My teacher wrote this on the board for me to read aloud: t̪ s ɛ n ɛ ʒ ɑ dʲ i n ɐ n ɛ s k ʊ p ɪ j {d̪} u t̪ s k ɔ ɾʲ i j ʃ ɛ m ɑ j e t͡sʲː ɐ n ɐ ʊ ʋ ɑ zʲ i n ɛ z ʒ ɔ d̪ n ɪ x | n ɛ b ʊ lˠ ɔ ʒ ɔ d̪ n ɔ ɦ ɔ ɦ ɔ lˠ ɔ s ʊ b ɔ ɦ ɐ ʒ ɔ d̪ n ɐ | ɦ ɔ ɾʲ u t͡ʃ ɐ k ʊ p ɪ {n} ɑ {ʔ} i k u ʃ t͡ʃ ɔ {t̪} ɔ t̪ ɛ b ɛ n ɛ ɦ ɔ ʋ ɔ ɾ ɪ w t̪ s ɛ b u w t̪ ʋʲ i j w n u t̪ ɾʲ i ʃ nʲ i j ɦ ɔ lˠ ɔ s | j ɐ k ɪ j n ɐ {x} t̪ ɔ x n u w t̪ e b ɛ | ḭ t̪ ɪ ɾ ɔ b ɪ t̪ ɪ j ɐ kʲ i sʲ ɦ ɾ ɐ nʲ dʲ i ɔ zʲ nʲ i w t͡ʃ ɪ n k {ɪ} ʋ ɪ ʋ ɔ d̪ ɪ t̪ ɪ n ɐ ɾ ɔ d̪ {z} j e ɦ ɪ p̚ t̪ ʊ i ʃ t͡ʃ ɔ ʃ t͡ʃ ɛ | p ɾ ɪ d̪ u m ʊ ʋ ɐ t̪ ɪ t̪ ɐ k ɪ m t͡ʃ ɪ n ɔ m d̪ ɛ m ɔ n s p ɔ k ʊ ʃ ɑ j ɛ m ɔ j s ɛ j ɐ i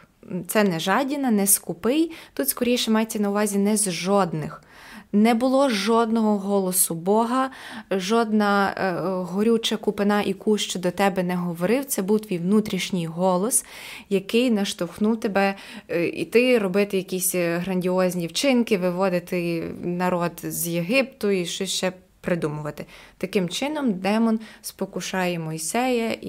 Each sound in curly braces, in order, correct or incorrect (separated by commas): incorrect, correct, correct, incorrect, incorrect, correct, correct